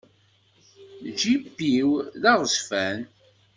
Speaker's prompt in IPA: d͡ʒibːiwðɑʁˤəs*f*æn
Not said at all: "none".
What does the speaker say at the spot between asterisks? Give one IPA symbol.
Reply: f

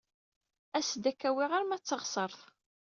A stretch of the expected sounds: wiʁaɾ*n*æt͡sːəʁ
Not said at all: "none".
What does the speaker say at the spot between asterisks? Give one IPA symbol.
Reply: m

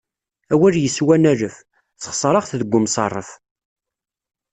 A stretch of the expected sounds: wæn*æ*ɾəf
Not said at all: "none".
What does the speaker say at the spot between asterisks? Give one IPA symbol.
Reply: æ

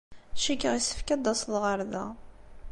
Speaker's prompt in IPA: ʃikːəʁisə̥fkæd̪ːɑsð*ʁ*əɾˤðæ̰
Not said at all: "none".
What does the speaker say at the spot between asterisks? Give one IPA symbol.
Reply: ʁ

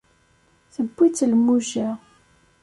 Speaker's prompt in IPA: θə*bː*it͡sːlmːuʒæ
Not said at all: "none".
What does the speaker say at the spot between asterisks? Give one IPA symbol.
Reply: bː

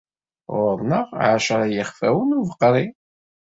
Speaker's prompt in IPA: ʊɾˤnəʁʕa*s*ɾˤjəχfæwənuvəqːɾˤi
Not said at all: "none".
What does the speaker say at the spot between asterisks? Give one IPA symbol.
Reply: ʃ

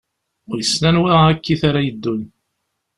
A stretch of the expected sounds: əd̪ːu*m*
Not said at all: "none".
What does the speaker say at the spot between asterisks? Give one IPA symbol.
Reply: n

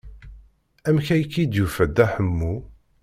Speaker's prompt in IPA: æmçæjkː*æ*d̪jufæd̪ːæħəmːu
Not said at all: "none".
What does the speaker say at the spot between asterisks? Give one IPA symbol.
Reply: i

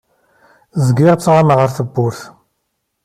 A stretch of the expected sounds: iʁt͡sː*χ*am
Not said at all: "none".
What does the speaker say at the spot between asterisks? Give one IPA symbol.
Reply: ʁ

